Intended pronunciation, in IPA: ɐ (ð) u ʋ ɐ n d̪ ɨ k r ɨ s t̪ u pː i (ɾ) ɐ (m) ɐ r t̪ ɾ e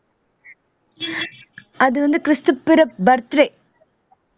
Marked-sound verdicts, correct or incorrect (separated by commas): correct, correct, incorrect